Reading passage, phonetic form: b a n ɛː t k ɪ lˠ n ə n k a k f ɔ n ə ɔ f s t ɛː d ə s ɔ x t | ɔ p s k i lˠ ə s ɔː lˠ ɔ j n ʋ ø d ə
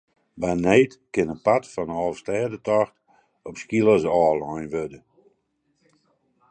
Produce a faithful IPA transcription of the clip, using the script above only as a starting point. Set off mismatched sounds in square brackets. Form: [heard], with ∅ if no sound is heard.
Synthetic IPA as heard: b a n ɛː t k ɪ [∅] n ə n [p] a [t] f ɔ n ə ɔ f s t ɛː d ə [t] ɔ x t | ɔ p s k i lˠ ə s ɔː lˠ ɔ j n ʋ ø d ə

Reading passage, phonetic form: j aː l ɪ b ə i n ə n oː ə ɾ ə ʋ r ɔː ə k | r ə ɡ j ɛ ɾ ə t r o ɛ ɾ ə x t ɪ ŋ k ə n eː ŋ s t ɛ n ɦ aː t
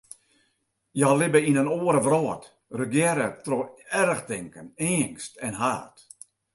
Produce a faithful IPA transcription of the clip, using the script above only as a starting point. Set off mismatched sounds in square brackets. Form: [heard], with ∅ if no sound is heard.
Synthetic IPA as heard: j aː l ɪ b ə i n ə n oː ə ɾ ə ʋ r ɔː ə [t] | r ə ɡ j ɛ ɾ ə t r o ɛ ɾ ə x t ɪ ŋ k ə n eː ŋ s t ɛ n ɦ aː t

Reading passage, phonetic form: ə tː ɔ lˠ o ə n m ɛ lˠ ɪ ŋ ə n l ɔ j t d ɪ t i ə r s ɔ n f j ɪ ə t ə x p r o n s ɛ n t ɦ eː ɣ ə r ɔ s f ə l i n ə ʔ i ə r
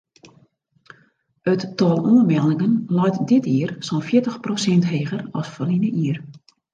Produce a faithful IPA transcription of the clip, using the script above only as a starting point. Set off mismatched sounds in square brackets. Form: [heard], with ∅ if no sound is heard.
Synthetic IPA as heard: ə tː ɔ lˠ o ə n m ɛ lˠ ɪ ŋ ə n l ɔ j t d ɪ t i ə r s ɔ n f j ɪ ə t ə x p r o [∅] s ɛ n t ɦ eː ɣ ə r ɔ s f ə l i n ə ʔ i ə r

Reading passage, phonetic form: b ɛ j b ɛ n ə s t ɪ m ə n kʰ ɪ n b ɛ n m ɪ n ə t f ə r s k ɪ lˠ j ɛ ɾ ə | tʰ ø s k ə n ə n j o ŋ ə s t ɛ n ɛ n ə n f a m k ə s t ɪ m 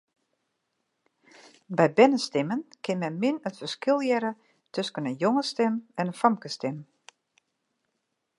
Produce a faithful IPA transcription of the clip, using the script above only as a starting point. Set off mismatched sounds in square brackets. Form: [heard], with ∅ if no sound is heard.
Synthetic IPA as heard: b ɛ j b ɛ n ə s t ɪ m ə n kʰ ɪ n [m] ɛ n m ɪ n ə t f ə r s k ɪ lˠ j ɛ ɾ ə | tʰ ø s k ə n ə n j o ŋ ə s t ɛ [m] ɛ n ə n f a m k ə s t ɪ m

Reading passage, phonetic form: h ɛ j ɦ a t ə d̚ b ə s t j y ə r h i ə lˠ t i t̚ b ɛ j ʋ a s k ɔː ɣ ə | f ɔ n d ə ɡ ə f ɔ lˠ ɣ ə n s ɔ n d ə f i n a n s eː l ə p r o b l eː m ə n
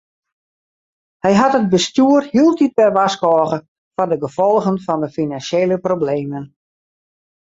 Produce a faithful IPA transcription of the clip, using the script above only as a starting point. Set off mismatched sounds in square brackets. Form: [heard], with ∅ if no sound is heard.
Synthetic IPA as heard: h ɛ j ɦ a t ə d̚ b ə s t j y ə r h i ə lˠ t i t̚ b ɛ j ʋ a s k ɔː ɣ ə | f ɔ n d ə ɡ ə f ɔ lˠ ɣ ə n [f] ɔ n d ə f i n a n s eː l ə p r o b l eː m ə n

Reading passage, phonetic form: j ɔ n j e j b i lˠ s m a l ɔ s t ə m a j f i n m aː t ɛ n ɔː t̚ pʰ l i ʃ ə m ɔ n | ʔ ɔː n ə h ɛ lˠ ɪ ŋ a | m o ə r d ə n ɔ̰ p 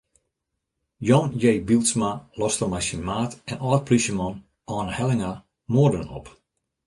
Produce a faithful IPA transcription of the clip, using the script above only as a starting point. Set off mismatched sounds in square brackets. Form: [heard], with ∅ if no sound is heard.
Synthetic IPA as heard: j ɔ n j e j b i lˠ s m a l ɔ s t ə m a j [s] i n m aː t ɛ n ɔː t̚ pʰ l i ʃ ə m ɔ n | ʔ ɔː n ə h ɛ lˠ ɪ ŋ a | m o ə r d ə n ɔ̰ p

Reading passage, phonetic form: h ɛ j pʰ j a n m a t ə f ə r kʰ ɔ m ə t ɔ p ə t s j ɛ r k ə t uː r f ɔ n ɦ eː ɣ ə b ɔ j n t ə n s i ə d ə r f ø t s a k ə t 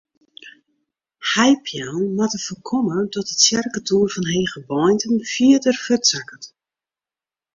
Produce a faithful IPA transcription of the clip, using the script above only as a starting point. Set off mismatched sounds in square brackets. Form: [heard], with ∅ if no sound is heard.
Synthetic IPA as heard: h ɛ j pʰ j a n m a t ə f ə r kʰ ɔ m ə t ɔ [t] ə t s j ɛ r k ə t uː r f ɔ n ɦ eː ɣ ə b ɔ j n t ə n [f] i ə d ə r f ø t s a k ə t

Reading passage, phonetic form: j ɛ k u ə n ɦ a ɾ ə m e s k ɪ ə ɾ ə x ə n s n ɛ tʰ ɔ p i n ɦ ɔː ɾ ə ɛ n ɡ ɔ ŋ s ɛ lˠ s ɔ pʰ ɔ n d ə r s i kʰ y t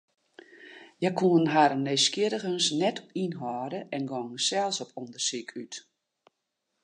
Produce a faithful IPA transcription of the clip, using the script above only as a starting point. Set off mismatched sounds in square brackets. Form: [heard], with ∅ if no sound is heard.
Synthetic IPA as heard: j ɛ k u ə n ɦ a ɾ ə [n] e s k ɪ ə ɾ ə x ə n s n ɛ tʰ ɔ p i n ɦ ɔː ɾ ə ɛ n ɡ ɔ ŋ s ɛ lˠ s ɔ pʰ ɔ n d ə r s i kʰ y t

